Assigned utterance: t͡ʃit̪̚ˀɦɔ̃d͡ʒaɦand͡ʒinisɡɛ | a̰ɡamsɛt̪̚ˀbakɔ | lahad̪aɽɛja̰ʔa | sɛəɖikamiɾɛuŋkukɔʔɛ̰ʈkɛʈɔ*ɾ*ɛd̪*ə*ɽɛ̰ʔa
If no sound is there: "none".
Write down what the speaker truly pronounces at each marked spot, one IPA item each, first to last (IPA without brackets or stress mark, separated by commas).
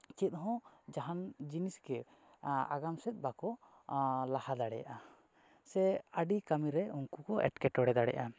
ɽ, a